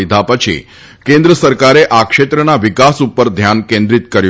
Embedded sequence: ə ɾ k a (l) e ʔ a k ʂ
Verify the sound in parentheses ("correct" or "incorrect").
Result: incorrect